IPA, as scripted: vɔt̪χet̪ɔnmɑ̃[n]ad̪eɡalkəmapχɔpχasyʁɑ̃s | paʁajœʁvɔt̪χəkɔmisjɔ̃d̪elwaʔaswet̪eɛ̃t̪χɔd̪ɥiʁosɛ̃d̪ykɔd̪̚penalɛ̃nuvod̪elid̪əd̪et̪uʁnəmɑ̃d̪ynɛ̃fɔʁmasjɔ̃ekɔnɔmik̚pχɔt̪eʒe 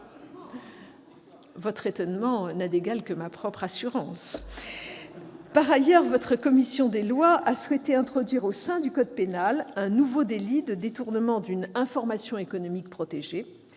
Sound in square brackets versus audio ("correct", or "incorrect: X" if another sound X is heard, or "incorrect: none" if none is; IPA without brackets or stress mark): correct